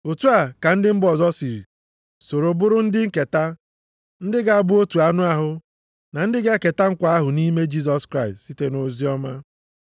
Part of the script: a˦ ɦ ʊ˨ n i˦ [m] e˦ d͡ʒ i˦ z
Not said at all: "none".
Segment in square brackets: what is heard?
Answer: m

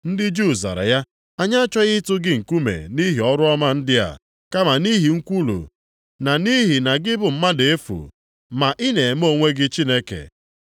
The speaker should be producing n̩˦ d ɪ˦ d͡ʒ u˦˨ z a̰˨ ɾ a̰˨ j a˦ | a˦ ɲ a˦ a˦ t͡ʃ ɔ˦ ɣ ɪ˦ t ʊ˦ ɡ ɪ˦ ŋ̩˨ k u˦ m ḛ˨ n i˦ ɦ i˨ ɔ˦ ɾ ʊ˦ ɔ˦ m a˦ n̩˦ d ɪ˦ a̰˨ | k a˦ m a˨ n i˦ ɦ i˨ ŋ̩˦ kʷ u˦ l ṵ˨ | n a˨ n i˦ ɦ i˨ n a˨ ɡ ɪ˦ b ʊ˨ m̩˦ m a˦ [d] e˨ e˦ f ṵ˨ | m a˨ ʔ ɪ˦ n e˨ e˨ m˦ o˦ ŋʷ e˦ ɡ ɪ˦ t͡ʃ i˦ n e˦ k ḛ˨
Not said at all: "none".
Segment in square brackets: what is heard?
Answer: d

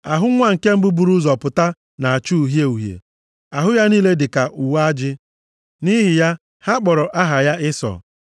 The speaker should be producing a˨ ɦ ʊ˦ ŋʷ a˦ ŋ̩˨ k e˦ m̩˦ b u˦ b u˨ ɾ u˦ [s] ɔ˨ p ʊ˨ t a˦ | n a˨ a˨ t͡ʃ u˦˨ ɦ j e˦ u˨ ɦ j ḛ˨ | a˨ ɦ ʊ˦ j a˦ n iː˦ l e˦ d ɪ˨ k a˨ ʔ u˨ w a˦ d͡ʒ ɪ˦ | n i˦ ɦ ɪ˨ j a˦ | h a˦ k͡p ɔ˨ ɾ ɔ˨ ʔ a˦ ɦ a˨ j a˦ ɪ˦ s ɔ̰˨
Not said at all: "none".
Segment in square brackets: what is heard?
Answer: z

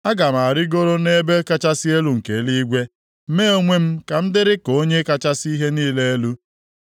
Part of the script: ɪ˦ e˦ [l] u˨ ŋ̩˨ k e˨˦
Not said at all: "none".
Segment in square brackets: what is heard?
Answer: l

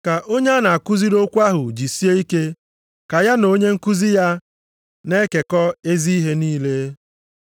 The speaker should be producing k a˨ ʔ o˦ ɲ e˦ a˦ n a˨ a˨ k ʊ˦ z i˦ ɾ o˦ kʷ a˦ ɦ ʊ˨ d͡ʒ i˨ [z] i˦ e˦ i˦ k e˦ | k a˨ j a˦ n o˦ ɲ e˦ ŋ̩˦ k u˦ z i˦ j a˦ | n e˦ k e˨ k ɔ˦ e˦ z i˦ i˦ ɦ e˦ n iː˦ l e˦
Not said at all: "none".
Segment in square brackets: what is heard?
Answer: s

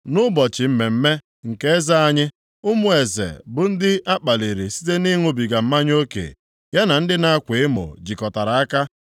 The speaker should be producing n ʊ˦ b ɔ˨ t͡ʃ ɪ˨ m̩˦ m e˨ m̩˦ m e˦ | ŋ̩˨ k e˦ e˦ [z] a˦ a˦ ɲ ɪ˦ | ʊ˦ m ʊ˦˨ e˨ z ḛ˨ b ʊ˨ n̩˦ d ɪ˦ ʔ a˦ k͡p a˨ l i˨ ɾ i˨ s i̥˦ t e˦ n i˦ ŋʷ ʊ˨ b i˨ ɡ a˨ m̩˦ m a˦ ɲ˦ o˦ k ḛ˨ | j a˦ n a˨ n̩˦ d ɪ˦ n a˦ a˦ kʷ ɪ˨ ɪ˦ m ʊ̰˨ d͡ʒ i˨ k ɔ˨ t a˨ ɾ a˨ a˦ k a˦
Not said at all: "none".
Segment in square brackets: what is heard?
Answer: z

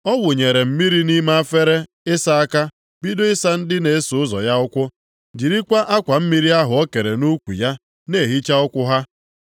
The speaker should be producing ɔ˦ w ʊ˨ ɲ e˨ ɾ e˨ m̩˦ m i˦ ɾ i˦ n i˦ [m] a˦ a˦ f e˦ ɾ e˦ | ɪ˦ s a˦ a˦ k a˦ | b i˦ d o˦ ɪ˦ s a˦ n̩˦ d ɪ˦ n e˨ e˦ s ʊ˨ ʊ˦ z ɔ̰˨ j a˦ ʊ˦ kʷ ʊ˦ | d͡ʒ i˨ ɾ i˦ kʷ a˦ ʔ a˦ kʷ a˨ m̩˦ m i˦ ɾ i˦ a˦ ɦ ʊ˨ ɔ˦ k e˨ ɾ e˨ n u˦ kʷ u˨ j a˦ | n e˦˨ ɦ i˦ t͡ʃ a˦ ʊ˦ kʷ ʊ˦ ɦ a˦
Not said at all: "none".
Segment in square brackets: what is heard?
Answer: m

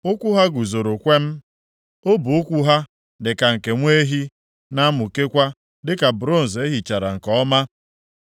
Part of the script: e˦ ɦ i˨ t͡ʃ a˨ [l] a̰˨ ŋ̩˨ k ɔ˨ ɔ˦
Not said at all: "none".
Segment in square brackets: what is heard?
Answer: ɾ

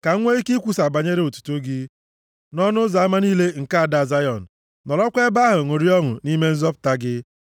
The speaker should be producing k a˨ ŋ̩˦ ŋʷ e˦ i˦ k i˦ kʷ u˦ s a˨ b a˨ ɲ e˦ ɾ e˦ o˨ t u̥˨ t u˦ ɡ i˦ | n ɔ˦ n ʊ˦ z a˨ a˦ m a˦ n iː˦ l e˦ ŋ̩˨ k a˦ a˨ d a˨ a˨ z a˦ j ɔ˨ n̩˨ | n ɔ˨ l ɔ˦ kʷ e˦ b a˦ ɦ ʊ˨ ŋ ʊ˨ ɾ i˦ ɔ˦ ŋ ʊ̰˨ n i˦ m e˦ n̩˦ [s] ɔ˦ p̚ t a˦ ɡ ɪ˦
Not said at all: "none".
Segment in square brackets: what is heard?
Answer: z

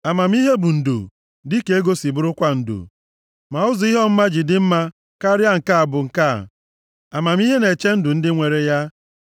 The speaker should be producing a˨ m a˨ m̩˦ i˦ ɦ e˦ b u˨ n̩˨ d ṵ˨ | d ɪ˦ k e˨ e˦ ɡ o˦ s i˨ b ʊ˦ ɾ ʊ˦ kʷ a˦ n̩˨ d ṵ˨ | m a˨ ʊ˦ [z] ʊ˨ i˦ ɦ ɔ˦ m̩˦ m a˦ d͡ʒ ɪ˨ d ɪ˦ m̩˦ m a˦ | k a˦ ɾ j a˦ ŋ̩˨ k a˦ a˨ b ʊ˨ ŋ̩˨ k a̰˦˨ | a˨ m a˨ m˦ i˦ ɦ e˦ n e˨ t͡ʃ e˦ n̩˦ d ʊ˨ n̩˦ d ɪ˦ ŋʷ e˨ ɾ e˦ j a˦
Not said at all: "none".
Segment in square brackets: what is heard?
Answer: z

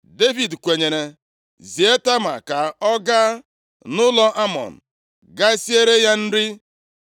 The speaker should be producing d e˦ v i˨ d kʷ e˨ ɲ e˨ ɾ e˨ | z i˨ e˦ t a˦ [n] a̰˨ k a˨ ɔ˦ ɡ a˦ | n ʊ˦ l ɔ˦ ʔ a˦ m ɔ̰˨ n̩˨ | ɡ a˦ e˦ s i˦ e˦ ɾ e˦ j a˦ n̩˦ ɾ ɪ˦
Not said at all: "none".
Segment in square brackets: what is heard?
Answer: m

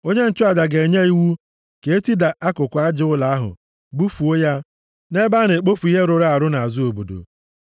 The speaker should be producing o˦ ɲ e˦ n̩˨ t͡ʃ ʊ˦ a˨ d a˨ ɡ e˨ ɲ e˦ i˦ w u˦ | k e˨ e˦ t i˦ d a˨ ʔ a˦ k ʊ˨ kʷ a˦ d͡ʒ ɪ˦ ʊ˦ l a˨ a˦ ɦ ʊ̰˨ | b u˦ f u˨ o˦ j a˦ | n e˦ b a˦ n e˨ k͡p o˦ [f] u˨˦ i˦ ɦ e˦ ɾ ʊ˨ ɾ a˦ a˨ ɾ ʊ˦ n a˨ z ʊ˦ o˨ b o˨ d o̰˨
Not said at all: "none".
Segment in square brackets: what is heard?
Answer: f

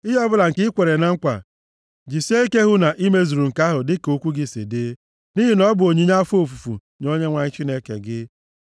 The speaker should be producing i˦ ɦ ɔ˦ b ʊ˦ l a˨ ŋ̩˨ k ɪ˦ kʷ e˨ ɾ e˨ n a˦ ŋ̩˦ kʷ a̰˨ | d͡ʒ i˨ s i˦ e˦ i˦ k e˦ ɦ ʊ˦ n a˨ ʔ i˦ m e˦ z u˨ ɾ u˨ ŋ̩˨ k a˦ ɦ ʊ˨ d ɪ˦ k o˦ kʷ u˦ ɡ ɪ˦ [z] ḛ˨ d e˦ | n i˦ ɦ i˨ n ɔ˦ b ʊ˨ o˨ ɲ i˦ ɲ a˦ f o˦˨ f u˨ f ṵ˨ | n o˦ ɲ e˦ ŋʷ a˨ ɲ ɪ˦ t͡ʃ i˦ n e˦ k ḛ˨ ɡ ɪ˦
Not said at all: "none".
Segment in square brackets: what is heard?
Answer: s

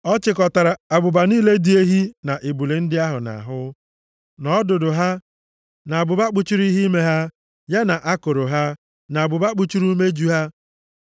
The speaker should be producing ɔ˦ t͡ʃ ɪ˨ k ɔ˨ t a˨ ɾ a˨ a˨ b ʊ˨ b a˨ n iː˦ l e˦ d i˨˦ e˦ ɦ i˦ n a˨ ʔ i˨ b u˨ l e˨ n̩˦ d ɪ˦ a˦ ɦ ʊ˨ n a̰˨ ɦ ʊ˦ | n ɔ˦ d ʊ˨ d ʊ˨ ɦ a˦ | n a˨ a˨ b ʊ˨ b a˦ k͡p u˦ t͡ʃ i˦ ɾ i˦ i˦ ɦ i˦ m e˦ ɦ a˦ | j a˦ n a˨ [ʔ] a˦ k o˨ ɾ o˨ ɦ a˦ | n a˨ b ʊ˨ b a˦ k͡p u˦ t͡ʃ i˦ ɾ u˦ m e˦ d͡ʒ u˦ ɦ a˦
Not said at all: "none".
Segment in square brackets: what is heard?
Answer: ʔ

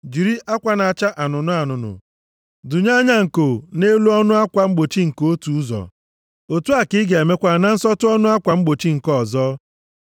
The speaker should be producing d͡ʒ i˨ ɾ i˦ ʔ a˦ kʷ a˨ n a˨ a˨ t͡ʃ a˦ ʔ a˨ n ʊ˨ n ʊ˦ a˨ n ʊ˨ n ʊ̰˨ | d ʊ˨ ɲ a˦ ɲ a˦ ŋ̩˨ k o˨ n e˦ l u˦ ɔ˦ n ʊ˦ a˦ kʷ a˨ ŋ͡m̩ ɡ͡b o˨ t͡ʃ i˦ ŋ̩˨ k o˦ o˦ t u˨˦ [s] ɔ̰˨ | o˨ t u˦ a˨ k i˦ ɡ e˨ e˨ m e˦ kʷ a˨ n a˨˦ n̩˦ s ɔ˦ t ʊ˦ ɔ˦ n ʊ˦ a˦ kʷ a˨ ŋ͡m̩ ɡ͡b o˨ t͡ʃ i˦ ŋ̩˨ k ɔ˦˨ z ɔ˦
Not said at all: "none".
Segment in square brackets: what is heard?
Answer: z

